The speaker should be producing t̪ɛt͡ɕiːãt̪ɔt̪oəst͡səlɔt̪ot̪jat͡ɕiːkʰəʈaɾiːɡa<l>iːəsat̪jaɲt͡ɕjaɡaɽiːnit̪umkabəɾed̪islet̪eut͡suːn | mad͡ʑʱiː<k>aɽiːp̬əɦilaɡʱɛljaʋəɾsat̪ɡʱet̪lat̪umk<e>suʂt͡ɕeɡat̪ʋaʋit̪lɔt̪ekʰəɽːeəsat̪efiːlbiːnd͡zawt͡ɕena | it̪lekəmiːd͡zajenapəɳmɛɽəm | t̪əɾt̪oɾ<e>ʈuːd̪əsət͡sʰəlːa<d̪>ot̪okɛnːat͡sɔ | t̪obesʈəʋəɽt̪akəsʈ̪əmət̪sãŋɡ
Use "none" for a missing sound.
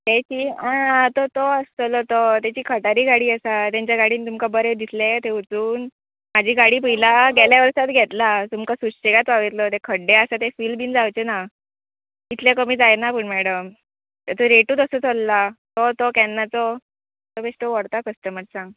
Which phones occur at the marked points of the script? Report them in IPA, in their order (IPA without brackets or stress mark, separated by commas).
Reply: ɽ, ɡ, a, e, t̪